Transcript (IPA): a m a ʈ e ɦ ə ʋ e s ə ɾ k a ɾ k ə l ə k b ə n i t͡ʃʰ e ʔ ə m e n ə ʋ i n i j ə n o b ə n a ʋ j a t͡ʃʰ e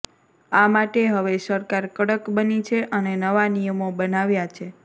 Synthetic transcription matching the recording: a m a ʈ e ɦ ə ʋ e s ə ɾ k a ɾ k ə ɽ ə k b ə n i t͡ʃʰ e ʔ ə n e n ə ʋ a n i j ə m o b ə n a ʋ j a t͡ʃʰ e